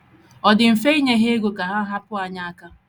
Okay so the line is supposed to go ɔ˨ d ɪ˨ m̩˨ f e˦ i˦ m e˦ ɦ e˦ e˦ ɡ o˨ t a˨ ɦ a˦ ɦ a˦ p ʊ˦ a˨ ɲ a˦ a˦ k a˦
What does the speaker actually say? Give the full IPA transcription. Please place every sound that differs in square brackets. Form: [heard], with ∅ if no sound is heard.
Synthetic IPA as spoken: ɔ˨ d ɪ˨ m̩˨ f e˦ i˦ [ɲ] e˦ ɦ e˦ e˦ ɡ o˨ [k] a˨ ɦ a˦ ɦ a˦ p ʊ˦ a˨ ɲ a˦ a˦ k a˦